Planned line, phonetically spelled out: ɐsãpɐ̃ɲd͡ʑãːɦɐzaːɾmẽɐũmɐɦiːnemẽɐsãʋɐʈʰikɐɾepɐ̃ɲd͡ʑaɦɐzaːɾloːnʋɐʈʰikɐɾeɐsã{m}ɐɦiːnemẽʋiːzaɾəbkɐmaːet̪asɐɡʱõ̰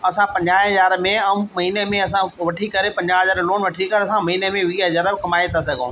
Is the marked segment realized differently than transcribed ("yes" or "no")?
no